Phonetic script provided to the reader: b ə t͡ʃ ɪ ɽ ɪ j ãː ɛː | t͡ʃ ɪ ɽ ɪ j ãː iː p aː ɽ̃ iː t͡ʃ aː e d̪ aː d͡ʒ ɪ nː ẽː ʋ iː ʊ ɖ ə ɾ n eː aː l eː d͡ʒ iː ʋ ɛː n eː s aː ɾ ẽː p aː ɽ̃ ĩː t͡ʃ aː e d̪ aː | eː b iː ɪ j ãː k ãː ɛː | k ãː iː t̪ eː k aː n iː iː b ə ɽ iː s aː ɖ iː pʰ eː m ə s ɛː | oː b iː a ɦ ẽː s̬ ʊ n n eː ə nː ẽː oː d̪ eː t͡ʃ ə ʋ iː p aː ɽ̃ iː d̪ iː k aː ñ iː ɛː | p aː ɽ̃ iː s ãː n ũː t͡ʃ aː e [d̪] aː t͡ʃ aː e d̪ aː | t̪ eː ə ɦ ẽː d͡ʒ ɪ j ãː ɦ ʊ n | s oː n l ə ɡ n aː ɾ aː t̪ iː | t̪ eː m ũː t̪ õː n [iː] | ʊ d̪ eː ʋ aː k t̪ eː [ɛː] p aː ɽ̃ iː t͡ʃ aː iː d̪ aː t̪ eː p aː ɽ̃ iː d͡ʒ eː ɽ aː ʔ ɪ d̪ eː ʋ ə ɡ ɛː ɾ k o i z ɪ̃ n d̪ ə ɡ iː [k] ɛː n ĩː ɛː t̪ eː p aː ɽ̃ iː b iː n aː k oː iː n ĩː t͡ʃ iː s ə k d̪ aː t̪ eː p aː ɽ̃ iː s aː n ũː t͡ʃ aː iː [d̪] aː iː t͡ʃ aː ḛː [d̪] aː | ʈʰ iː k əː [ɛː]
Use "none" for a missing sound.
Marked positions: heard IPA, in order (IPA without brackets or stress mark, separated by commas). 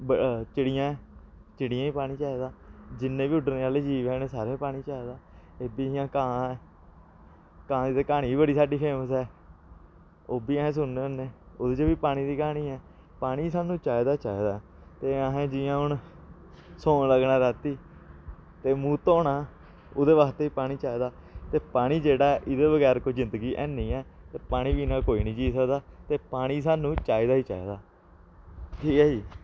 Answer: d̪, aː, iː, ʔ, d̪, d̪, iː